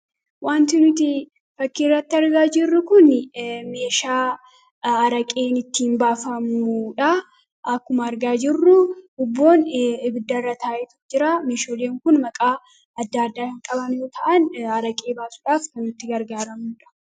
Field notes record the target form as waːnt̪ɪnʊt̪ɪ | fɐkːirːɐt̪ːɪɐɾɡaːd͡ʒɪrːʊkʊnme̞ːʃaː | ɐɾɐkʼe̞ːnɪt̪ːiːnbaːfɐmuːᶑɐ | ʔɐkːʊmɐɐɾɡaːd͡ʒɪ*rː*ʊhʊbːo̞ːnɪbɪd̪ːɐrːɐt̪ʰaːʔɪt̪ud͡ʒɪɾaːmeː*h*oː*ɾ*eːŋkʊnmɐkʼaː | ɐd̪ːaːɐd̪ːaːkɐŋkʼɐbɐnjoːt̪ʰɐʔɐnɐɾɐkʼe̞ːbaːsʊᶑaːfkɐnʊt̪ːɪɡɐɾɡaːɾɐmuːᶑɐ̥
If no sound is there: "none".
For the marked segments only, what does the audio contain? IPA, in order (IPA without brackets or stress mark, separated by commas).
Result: rː, ʃ, l